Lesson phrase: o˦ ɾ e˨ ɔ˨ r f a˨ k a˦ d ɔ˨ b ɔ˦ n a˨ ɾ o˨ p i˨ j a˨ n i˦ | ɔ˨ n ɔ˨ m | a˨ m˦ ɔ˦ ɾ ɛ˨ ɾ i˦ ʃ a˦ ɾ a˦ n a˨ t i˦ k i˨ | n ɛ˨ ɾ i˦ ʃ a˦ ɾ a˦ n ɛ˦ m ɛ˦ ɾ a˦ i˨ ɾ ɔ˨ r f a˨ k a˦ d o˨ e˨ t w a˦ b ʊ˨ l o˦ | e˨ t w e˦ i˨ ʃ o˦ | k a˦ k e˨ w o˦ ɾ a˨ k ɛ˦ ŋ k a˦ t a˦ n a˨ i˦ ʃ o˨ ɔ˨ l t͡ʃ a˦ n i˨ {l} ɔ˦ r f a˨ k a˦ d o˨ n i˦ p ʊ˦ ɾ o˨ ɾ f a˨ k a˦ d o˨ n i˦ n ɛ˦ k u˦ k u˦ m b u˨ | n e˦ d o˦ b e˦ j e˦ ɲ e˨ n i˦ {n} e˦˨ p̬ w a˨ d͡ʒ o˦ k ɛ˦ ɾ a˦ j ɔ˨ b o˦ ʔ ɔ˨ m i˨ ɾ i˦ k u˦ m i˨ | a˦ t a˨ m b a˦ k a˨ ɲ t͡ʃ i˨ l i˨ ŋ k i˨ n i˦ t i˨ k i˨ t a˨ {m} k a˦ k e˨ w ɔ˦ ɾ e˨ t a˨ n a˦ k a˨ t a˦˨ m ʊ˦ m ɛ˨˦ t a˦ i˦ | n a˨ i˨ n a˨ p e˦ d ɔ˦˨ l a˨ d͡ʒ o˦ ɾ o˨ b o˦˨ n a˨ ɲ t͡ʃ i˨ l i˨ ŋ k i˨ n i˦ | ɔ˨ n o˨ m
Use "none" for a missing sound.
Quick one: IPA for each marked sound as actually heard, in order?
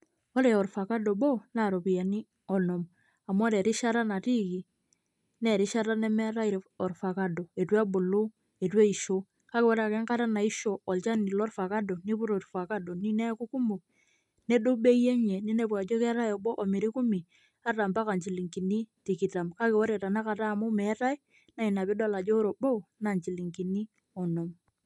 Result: l, n, m

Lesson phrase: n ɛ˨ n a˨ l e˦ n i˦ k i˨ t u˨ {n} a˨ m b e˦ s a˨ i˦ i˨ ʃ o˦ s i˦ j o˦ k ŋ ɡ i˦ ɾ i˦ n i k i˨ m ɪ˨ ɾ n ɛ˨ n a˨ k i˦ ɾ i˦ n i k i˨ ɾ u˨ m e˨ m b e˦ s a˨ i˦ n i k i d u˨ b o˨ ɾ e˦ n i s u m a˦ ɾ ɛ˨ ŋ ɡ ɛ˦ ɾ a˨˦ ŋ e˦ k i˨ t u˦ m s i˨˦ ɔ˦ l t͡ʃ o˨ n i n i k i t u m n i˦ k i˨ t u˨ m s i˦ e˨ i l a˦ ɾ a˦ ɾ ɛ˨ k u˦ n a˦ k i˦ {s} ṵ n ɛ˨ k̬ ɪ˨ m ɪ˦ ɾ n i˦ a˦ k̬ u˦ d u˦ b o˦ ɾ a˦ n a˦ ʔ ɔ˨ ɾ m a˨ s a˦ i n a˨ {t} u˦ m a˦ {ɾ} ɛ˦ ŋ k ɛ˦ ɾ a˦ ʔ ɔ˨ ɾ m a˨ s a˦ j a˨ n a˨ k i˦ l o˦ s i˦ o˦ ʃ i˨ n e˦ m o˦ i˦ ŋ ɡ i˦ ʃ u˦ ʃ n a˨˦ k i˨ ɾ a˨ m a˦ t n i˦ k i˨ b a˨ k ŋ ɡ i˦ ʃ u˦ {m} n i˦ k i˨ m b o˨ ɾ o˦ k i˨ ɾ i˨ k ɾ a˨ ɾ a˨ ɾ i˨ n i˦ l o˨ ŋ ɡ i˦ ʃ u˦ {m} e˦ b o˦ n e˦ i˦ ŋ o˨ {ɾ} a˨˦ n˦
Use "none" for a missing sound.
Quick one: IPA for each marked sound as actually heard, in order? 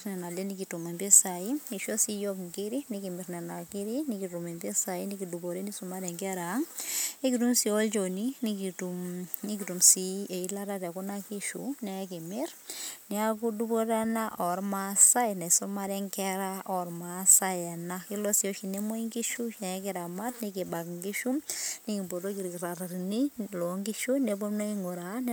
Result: m, ʃ, s, ɾ, m, n, ɾ

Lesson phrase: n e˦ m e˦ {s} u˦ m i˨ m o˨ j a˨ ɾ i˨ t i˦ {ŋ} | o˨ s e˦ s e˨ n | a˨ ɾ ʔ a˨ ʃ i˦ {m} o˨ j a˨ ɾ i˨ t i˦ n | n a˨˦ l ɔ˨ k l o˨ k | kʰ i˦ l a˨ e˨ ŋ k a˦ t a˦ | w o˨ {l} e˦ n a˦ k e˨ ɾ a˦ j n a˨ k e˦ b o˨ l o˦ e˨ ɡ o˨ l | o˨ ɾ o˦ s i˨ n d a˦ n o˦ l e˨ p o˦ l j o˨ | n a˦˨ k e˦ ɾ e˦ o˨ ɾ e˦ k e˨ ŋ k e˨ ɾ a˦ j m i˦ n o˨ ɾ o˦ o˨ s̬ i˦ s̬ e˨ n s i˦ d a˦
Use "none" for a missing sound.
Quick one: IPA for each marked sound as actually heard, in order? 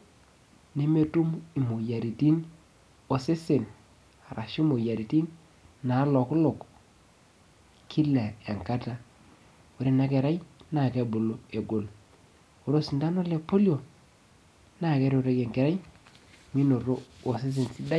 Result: t, n, m, ɾ

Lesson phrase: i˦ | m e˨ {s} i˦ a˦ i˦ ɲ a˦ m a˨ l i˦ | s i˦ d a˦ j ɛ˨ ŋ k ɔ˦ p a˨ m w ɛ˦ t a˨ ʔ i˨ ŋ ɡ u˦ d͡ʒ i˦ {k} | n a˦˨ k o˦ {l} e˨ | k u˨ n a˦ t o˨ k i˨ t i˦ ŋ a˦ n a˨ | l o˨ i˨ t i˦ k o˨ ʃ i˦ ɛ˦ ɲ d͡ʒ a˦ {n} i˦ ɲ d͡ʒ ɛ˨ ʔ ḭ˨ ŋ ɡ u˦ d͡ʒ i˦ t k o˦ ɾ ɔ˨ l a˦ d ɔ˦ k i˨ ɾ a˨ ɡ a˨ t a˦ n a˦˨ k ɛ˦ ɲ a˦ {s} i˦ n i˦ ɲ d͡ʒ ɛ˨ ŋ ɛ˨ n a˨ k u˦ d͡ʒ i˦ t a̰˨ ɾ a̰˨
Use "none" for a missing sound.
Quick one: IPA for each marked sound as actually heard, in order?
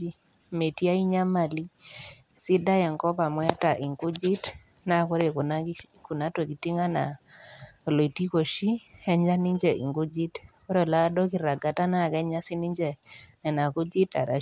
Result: t, t, ɾ, n, s

